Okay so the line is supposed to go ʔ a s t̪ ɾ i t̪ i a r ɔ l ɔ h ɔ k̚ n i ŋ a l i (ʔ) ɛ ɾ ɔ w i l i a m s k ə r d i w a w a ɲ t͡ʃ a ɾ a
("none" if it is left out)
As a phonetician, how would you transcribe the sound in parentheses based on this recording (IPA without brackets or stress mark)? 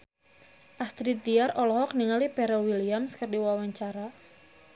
p